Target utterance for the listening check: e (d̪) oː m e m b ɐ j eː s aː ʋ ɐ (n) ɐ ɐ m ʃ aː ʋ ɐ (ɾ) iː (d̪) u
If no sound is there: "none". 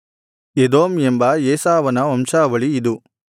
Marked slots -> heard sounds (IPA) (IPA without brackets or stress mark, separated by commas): d̪, n, ɭ, d̪